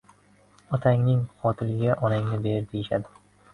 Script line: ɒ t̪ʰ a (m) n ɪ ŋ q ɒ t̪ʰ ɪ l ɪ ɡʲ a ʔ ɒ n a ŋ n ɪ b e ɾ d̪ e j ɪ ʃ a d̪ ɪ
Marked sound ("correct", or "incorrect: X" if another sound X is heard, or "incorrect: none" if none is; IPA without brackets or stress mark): incorrect: ŋ